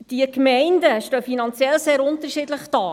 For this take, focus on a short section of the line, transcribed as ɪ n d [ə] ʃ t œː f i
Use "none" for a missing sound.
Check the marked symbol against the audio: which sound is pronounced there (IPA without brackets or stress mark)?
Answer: ə